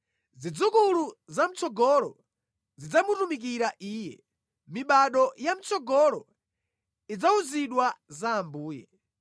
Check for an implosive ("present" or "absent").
present